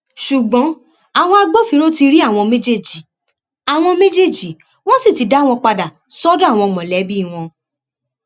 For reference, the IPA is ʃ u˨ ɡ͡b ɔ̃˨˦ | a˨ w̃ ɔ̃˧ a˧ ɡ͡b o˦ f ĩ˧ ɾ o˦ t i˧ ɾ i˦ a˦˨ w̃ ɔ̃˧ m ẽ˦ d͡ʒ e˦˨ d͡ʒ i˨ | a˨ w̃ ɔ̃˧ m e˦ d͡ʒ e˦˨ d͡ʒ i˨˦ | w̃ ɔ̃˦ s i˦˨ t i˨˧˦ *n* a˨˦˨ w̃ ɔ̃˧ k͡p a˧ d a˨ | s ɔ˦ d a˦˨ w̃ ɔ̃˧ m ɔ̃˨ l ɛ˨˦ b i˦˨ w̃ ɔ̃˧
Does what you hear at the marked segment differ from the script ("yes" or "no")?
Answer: yes